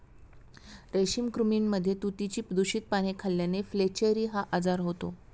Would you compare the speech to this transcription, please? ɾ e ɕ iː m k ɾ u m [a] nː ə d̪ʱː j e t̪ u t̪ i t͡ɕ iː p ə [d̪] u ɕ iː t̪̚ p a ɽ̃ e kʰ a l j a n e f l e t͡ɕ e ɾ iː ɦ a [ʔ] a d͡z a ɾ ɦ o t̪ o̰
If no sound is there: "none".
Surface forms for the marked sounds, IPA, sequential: i, d̪, ʔ

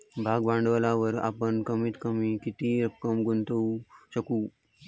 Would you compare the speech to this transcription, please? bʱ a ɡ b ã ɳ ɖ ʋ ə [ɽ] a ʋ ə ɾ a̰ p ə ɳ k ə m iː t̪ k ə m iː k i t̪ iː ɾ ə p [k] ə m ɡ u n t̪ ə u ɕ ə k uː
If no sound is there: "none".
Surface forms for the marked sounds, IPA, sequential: l, k

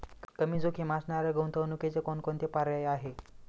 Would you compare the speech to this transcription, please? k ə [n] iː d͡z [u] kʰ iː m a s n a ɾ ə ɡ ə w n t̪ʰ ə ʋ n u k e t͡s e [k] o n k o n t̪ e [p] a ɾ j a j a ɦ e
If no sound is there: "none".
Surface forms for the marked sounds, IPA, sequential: m, o, k, p

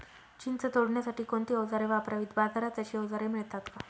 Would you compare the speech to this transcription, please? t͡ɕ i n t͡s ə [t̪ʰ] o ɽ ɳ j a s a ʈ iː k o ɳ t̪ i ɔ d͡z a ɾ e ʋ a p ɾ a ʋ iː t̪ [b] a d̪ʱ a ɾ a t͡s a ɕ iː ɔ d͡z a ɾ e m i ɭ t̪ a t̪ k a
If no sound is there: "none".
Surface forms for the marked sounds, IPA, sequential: t̪, b

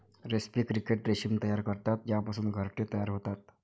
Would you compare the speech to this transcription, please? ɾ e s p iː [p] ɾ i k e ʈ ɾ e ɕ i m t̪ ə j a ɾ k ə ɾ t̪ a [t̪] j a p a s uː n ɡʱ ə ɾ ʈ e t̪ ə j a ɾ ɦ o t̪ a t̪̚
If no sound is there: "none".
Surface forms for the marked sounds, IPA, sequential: k, t̪

